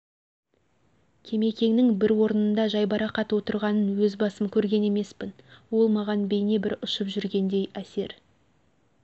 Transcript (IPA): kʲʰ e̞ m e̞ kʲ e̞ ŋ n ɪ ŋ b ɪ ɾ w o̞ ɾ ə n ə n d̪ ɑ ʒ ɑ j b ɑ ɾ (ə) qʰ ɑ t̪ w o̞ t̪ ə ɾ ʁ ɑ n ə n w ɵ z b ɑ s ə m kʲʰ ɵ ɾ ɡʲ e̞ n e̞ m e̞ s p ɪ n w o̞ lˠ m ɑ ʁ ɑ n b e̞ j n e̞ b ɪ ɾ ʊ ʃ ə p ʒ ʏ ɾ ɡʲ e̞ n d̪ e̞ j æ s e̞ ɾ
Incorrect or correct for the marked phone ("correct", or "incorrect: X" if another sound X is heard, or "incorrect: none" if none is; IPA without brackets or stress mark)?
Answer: incorrect: ɑ